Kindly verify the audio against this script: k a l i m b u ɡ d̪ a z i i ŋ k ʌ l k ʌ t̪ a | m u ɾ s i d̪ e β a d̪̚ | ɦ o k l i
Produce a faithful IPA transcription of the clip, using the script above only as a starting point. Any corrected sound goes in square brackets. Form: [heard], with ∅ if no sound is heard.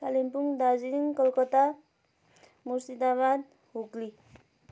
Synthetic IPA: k a l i m [p] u [ŋ] d̪ a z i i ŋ k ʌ l k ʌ t̪ a | m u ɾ s i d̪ [a] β a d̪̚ | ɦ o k l i